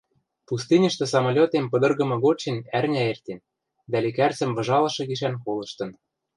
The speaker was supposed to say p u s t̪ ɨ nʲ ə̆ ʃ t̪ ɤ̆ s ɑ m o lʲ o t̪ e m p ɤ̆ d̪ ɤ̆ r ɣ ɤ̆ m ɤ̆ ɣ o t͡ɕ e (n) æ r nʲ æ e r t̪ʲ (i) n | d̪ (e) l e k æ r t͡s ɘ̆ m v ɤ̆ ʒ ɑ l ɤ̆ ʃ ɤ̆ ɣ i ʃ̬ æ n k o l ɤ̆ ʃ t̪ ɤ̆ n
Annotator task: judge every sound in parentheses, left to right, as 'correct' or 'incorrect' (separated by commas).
correct, incorrect, incorrect